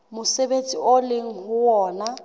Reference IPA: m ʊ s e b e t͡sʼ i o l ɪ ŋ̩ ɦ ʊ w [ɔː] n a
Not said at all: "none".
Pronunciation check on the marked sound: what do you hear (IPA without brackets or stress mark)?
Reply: ɔː